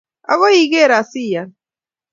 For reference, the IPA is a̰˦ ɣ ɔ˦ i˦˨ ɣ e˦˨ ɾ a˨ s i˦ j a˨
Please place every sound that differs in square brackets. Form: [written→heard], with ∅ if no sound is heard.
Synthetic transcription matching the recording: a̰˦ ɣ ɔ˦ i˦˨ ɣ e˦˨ ɾ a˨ s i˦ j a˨